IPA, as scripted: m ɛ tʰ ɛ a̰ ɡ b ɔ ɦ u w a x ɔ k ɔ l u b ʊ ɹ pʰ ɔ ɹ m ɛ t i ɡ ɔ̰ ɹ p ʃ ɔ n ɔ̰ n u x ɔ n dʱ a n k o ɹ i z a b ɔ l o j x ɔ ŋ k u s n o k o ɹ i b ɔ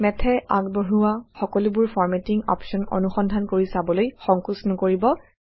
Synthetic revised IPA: m ɛ tʰ ɛ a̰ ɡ b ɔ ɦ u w a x ɔ k ɔ l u b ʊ ɹ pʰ ɔ ɹ m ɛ t i ŋ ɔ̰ p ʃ ɔ n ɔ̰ n u x ɔ n dʱ a n k o ɹ i s a b ɔ l o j x ɔ ŋ k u s n ɔ k o ɹ i b ɔ